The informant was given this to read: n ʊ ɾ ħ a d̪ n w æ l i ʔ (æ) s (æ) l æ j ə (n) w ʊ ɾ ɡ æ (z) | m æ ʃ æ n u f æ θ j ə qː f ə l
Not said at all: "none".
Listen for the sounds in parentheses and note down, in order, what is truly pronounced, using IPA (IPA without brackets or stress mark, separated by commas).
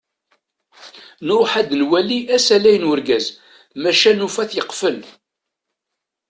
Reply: æ, æ, n, z